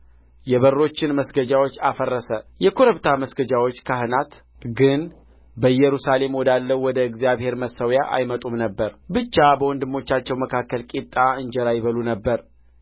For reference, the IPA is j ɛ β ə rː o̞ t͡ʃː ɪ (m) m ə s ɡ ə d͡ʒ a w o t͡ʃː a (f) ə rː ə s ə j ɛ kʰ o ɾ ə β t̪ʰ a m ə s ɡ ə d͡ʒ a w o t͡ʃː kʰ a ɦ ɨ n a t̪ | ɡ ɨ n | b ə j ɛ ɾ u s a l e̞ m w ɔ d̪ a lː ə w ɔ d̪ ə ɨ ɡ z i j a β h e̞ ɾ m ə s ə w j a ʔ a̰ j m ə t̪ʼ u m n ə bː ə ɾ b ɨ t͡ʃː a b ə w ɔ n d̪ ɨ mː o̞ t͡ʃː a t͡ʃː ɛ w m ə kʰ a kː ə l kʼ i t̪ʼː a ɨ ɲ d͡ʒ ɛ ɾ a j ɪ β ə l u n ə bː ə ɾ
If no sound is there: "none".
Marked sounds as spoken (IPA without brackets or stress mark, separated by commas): n, f